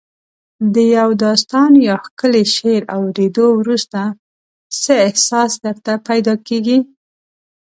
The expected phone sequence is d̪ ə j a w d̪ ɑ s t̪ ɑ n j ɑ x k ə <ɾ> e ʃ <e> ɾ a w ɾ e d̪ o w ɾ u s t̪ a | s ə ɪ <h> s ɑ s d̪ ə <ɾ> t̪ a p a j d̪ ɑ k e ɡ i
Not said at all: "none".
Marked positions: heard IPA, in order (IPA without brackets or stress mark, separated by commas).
l, e, h, ɾ